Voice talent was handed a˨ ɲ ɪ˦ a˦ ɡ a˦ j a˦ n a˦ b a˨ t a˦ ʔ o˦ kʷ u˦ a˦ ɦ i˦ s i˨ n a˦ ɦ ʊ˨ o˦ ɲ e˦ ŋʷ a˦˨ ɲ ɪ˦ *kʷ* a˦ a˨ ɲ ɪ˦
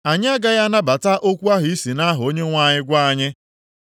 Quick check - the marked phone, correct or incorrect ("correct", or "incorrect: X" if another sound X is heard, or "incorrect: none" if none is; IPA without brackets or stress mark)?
incorrect: ɡʷ